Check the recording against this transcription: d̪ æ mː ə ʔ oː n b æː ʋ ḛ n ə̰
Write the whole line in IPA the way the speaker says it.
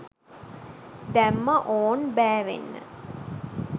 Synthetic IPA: d̪ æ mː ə ʔ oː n b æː ʋ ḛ nː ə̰